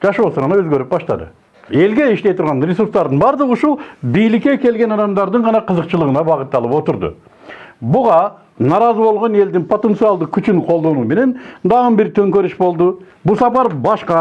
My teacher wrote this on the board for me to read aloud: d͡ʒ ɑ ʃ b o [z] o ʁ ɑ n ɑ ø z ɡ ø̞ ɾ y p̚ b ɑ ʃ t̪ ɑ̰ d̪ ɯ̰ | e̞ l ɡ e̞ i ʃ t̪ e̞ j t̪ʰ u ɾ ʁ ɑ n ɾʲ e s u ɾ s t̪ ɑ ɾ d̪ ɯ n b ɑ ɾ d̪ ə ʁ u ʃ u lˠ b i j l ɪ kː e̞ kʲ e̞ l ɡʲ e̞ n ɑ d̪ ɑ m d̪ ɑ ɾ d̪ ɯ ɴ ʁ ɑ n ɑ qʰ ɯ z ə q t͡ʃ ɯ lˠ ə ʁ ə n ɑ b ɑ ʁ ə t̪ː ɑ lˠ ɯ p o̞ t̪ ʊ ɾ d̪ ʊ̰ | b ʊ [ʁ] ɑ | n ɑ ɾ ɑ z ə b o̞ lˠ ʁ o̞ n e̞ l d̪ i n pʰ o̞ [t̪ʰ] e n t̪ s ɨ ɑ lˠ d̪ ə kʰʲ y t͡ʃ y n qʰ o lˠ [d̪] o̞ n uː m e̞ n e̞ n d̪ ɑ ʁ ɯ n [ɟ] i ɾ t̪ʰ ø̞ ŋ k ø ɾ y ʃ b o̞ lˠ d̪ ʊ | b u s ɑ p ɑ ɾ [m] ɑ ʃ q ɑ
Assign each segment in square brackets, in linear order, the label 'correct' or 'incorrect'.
incorrect: s, correct, incorrect: t̪, correct, incorrect: b, incorrect: b

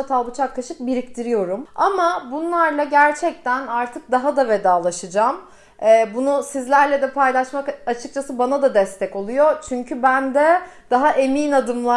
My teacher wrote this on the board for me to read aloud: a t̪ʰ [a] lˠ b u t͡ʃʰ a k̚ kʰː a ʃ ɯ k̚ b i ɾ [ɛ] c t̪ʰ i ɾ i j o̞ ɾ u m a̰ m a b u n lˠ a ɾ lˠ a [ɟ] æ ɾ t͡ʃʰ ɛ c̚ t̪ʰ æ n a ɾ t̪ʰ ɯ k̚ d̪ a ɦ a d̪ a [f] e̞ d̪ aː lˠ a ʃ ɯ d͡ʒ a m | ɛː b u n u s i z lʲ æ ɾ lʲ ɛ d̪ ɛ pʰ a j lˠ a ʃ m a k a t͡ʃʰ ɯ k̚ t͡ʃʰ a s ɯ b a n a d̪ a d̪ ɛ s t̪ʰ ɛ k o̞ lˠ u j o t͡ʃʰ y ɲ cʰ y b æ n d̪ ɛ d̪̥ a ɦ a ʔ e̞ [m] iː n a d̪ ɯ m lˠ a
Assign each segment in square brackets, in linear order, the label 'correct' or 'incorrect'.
correct, incorrect: i, correct, incorrect: v, correct

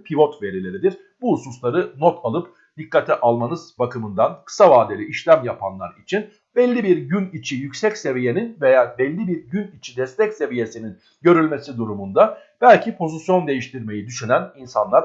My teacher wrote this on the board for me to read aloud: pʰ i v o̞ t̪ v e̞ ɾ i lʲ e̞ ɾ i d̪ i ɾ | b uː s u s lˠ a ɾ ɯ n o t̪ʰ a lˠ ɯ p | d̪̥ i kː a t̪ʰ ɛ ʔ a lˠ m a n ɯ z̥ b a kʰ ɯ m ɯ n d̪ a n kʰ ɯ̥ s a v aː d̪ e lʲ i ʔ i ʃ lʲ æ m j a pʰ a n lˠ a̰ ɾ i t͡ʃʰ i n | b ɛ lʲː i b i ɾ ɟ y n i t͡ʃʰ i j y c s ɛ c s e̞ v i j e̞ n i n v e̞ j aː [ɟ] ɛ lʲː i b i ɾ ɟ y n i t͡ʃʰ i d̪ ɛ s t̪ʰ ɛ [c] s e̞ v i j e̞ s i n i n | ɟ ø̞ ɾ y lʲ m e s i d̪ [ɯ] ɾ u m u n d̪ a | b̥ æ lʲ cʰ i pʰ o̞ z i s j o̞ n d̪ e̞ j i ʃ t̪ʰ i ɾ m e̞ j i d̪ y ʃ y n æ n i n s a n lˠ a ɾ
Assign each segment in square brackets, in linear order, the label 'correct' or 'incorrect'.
incorrect: b, correct, incorrect: u

